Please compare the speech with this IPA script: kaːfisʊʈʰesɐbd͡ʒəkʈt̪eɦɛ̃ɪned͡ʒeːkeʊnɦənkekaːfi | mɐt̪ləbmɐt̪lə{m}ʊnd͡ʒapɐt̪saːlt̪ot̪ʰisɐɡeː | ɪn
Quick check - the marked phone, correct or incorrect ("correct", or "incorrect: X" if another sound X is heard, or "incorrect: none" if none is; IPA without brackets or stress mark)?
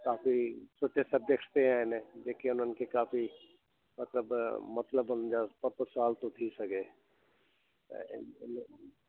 incorrect: b